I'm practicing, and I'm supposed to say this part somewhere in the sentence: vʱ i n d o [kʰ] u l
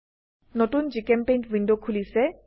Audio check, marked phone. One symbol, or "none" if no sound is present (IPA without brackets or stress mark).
kʰ